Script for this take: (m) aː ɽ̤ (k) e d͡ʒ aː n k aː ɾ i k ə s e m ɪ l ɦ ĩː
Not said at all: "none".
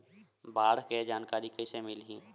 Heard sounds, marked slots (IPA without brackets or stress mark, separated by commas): b, k